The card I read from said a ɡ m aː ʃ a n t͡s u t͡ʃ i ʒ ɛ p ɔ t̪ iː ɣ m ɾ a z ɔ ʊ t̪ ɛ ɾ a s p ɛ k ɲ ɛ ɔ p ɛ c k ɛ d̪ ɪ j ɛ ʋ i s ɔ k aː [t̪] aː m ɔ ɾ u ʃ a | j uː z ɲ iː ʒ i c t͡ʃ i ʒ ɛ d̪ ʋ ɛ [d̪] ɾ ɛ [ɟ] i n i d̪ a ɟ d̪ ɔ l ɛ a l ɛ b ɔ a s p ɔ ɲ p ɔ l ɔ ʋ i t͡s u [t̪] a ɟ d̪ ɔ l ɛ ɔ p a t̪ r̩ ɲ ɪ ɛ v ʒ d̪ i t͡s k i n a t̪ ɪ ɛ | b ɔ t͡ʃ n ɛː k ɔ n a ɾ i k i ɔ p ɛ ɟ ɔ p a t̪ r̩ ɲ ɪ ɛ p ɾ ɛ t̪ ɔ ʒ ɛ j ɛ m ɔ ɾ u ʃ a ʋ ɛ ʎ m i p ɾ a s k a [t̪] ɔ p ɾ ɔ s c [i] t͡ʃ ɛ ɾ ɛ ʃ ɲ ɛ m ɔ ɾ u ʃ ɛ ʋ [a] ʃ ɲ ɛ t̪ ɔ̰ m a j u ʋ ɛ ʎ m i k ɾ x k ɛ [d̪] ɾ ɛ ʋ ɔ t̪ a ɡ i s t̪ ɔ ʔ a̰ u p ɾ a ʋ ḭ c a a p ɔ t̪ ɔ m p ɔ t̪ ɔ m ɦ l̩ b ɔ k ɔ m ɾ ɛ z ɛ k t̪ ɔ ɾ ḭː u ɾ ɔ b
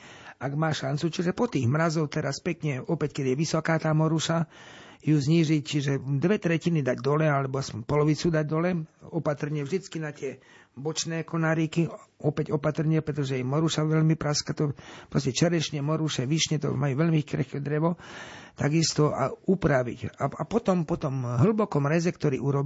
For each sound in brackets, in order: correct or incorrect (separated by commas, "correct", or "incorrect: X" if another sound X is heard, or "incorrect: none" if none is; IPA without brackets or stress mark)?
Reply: correct, incorrect: t̪, incorrect: c, incorrect: d̪, correct, incorrect: ɛ, incorrect: i, correct